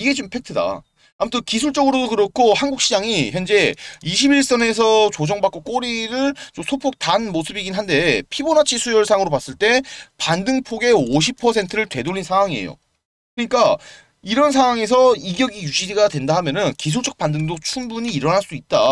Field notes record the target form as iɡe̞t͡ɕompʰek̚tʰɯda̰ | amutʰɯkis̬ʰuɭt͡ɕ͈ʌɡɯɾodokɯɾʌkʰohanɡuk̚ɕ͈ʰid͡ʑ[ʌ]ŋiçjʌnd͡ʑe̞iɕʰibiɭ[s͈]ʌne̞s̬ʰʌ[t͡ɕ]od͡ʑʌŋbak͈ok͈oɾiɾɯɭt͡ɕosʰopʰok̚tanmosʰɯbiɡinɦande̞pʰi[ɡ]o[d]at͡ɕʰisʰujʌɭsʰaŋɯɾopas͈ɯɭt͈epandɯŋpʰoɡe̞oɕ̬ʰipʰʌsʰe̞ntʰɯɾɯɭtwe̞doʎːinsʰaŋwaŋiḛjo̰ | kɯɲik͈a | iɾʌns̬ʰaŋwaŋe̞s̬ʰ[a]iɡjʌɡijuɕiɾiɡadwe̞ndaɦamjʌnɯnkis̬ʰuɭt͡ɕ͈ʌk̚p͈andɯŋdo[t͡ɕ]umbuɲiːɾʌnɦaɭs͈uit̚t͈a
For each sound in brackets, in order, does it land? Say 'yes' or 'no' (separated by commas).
no, yes, yes, no, no, no, no